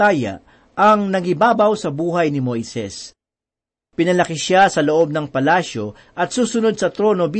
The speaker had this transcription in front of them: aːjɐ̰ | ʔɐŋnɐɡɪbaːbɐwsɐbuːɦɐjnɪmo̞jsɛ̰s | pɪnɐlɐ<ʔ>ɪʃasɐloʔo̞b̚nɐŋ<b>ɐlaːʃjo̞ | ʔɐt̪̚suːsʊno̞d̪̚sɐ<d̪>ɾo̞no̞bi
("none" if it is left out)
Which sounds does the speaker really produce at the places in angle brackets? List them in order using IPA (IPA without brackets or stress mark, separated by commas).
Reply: k, p, t̪